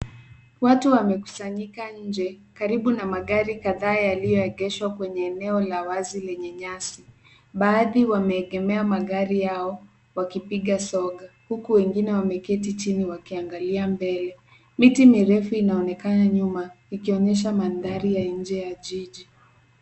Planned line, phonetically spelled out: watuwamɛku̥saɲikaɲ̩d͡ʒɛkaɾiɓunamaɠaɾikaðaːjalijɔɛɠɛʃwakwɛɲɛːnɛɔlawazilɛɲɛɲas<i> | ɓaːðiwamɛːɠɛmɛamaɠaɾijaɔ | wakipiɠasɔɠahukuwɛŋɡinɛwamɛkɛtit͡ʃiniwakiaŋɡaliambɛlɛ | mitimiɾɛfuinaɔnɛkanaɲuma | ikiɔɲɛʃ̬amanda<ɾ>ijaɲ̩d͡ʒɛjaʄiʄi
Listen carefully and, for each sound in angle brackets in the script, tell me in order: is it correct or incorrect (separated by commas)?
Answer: correct, correct